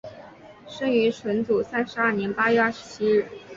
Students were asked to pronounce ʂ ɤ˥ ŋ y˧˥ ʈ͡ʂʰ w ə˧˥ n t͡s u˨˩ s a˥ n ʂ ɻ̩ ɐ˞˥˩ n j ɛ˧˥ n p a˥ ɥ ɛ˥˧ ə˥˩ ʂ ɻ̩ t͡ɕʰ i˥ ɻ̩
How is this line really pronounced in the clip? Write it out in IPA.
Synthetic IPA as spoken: ʂ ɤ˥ ŋ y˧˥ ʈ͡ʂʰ w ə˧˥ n t͡s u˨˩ s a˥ n ʂ ɻ̩ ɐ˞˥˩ n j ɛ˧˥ n p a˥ ɥ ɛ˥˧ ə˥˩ ʂ ɻ̩ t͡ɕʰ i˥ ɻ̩